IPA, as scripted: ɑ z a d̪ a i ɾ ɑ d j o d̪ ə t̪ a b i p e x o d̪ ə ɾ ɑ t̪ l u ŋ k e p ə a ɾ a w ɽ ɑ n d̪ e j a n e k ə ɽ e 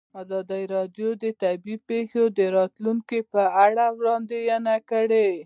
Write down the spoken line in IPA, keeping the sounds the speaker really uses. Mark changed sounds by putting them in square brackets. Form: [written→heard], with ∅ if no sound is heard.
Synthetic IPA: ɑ z [a→ɑ] d̪ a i ɾ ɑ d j o d̪ ə t̪ a b i p e x o d̪ ə ɾ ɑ t̪ l u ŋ k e p ə a [ɾ→ɽ] a w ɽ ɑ n d̪ e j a n [e→a] k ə ɽ e